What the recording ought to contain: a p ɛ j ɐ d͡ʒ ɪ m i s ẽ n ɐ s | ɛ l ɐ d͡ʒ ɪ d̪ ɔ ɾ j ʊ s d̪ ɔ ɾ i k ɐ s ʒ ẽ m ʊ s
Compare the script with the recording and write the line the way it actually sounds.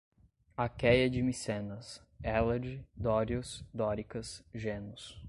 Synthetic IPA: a k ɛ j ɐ d͡ʒ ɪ m i s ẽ n ɐ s | ɛ l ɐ d͡ʒ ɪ d̪ ɔ ɾ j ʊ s d̪ ɔ ɾ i k ɐ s ʒ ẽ n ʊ s